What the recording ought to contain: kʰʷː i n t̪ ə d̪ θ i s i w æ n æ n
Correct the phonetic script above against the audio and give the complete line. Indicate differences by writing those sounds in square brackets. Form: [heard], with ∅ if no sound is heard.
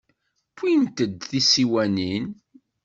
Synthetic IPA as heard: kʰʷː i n t̪ ə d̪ θ i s i w æ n [i] n